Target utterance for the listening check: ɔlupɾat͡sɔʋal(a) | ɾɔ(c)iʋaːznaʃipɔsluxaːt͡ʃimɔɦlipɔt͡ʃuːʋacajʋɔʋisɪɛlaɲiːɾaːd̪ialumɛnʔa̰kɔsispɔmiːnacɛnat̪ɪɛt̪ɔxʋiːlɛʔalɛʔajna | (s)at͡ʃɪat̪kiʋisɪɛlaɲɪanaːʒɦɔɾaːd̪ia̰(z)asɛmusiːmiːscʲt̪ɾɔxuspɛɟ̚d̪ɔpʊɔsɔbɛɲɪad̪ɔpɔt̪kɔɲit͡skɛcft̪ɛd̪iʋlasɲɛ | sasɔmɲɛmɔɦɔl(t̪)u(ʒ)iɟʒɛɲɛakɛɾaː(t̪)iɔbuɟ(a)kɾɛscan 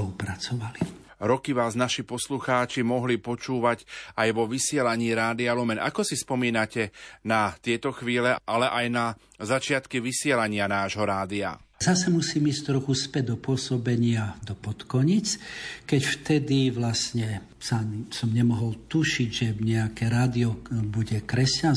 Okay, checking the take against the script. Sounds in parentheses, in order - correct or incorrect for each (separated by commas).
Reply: incorrect, incorrect, incorrect, correct, correct, incorrect, incorrect, incorrect